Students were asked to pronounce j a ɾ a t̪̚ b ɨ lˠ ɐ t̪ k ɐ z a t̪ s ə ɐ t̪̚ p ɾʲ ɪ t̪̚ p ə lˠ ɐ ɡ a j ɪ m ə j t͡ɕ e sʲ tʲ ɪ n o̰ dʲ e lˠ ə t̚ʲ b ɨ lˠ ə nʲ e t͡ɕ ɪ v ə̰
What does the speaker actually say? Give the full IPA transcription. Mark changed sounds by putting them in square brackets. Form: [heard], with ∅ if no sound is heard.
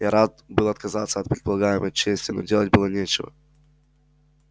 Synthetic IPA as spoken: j a ɾ a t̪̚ b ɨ lˠ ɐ t̪ k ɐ z a t̪ s ə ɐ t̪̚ p ɾʲ ɪ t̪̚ p ə lˠ ɐ ɡ a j ɪ m ə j t͡ɕ e sʲ tʲ ɪ n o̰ dʲ e lˠ ə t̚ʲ b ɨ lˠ ə nʲ e t͡ɕ ɪ v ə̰